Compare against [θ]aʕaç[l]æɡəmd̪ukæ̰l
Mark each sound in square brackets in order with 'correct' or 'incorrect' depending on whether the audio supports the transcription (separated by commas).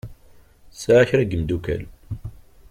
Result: incorrect, incorrect